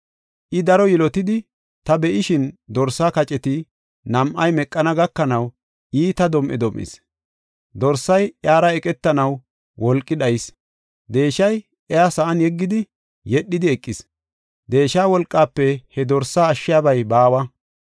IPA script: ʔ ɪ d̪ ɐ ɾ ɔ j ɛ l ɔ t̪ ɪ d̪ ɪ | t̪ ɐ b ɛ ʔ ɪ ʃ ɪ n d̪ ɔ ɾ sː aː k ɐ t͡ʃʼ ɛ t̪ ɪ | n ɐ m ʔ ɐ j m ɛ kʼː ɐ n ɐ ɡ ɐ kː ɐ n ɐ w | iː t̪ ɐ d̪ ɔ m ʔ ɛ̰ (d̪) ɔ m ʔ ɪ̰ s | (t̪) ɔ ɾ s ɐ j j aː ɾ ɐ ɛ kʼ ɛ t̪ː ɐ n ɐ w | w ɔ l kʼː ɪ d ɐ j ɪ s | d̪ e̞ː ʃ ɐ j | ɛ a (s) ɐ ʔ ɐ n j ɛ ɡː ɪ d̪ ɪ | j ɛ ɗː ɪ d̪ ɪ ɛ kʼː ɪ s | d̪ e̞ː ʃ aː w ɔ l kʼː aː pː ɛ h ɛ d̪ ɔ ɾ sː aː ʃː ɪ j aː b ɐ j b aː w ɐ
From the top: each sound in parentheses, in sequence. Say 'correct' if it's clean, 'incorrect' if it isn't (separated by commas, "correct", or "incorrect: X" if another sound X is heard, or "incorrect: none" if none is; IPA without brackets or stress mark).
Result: correct, incorrect: d̪, correct